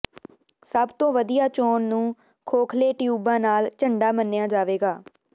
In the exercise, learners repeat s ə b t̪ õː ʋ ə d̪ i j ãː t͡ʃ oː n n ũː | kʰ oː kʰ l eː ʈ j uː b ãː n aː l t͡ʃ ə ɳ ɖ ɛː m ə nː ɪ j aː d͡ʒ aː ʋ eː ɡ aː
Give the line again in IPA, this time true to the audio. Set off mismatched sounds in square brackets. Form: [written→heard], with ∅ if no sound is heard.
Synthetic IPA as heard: s ə b t̪ õː ʋ ə d̪ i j [ãː→aː] t͡ʃ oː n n ũː | kʰ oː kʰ l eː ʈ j uː b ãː n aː l t͡ʃ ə ɳ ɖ [ɛː→aː] m ə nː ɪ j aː d͡ʒ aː ʋ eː ɡ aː

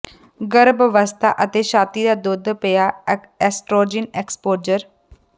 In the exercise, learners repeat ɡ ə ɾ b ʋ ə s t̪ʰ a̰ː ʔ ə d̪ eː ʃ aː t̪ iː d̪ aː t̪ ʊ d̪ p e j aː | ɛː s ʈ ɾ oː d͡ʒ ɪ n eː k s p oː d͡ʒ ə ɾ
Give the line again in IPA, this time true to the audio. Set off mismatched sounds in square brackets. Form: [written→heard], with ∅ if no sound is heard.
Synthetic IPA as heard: ɡ ə ɾ b ʋ ə s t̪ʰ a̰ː ʔ ə [d̪→t̪] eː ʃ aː t̪ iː d̪ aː [t̪→d̪] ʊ d̪ p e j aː | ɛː s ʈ ɾ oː d͡ʒ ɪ n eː k s p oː d͡ʒ ə ɾ

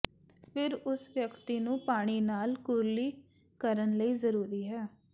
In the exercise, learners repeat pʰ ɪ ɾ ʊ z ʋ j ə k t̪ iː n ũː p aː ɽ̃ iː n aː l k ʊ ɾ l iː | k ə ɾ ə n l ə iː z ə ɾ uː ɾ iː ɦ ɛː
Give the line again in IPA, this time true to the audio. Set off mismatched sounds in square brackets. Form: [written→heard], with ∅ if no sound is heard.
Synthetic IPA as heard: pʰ ɪ ɾ ʊ [z→s] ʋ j ə k t̪ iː n ũː p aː ɽ̃ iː n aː l k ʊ ɾ l iː | k ə ɾ ə n l ə iː z ə ɾ uː ɾ iː ɦ ɛː

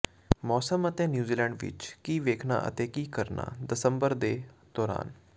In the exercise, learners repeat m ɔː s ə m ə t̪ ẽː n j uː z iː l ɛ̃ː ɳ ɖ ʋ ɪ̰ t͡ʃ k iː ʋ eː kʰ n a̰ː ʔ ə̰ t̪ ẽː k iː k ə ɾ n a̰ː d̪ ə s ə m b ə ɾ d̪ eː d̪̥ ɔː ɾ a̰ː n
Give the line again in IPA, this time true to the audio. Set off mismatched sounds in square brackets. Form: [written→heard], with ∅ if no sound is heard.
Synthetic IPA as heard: m ɔː s ə m ə t̪ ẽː n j uː z iː l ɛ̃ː ɳ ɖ ʋ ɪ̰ t͡ʃ k iː ʋ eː kʰ n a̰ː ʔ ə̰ t̪ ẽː k iː k ə ɾ n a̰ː d̪ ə s ə m b ə ɾ d̪ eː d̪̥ ɔː ɾ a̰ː n

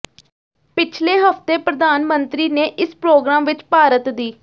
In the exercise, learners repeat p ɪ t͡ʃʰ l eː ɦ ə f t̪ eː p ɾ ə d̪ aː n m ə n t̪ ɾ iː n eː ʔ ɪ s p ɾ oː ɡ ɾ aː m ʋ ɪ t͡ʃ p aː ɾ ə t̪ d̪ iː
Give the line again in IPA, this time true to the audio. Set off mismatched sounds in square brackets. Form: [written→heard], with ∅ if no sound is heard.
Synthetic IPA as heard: p ɪ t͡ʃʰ l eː ɦ ə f t̪ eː p ɾ ə d̪ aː n m ə n t̪ ɾ iː n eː ʔ ɪ s p ɾ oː ɡ ɾ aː m ʋ ɪ t͡ʃ p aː ɾ ə t̪ d̪ iː

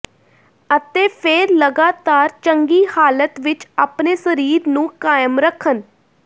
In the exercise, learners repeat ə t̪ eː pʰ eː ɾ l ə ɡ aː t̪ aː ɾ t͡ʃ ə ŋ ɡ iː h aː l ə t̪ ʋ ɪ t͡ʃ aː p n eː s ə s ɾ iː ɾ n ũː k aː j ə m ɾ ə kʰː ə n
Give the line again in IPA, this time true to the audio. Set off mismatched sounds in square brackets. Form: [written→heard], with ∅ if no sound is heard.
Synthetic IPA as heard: ə t̪ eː pʰ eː ɾ l ə ɡ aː t̪ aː ɾ t͡ʃ ə ŋ ɡ iː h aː l ə t̪ ʋ ɪ t͡ʃ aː p n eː s ə [s→∅] ɾ iː ɾ n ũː k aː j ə m ɾ ə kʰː ə n

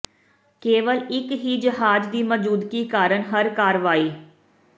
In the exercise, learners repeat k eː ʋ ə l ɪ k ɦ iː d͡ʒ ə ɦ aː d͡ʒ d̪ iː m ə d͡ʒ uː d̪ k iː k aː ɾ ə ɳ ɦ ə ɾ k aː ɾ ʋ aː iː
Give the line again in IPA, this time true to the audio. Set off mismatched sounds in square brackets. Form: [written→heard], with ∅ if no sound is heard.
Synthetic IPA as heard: k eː ʋ ə l ɪ k ɦ iː d͡ʒ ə ɦ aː d͡ʒ d̪ iː m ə d͡ʒ uː d̪ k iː k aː ɾ ə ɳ ɦ ə ɾ k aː ɾ ʋ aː iː

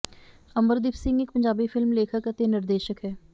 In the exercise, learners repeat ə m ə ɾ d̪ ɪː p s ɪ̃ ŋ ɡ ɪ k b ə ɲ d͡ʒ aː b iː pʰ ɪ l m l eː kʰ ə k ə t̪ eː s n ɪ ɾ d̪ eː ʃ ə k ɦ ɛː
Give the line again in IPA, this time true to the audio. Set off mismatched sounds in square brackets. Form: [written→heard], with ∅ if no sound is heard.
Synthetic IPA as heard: ə m ə ɾ d̪ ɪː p s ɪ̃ ŋ ɡ ɪ k [b→p] ə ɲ d͡ʒ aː b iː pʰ ɪ l m l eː kʰ ə k ə t̪ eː [s→∅] n ɪ ɾ d̪ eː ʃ ə k ɦ ɛː

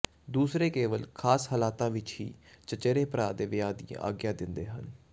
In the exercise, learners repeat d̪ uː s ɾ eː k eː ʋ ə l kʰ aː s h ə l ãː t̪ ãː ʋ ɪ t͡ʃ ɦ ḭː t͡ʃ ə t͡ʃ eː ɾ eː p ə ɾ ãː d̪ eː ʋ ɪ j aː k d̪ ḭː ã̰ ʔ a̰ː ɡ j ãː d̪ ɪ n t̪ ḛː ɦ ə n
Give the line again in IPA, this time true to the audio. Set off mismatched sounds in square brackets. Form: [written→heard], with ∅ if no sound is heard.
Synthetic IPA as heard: d̪ uː s ɾ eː k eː ʋ ə l kʰ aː s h ə l [ãː→aː] t̪ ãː ʋ ɪ t͡ʃ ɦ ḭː t͡ʃ ə t͡ʃ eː ɾ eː p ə ɾ [ãː→aː] d̪ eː ʋ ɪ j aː [k→∅] d̪ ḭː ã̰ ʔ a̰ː ɡ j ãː d̪ ɪ n [t̪→d̪] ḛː ɦ ə n

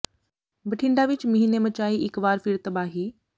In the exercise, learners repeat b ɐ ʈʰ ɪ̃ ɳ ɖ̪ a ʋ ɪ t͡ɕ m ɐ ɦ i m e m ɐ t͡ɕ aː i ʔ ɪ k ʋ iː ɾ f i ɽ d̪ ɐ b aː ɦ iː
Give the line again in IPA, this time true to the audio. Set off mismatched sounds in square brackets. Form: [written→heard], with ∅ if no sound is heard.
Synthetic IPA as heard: b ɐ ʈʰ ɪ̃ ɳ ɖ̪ a ʋ ɪ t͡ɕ m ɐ ɦ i [m→n] e m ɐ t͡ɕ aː i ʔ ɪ k ʋ [iː→aː] ɾ f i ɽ [d̪→t̪] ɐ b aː ɦ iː

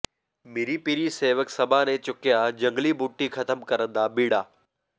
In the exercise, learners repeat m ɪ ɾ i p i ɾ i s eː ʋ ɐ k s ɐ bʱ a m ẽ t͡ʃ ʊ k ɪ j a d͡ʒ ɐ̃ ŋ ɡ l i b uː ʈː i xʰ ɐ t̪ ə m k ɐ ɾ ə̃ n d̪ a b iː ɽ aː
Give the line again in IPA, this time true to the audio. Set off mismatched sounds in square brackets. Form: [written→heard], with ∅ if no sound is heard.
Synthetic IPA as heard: m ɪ ɾ i p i ɾ i s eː ʋ [ɐ→ə] k s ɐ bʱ a [m→n] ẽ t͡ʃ ʊ k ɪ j a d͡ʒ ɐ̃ ŋ ɡ l i b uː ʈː i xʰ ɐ t̪ ə m k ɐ ɾ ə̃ n d̪ a b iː ɽ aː

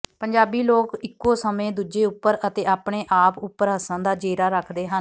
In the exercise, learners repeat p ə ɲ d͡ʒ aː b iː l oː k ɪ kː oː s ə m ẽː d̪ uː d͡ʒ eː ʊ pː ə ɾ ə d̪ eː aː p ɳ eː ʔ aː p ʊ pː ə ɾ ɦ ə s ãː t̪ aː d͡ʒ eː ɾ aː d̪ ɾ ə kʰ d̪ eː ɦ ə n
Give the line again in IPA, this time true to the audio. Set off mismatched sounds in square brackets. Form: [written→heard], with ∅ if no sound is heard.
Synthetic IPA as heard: p ə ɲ d͡ʒ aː b iː l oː k ɪ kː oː s ə m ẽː d̪ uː d͡ʒ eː ʊ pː ə ɾ ə [d̪→t̪] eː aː p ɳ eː ʔ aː p ʊ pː ə ɾ ɦ ə s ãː [t̪→d̪] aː d͡ʒ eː ɾ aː [d̪→∅] ɾ ə kʰ d̪ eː ɦ ə n

